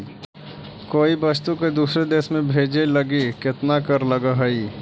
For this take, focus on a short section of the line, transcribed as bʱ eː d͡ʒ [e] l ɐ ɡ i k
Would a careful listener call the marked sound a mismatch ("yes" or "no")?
no